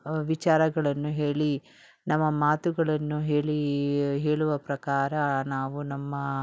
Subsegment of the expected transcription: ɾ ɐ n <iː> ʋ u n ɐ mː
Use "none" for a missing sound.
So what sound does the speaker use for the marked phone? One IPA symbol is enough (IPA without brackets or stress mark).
aː